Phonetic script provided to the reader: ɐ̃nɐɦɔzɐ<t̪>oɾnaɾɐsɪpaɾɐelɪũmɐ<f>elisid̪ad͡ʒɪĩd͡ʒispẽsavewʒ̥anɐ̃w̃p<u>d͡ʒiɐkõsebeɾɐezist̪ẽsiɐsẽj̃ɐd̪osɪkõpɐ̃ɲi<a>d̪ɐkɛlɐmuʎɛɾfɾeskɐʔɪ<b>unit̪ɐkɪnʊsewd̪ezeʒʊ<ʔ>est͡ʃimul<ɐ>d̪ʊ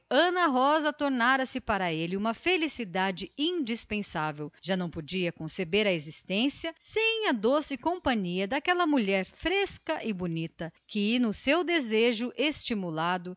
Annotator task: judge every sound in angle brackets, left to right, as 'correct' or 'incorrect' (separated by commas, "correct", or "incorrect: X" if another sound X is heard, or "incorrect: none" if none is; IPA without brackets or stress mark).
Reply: correct, correct, incorrect: o, incorrect: ɐ, correct, correct, incorrect: a